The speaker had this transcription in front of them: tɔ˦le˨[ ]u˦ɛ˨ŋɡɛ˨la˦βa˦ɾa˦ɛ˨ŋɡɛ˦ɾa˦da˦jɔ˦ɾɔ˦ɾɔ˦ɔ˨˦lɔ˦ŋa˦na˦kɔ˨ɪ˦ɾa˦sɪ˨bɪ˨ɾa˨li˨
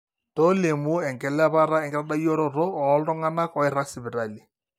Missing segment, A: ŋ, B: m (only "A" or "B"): B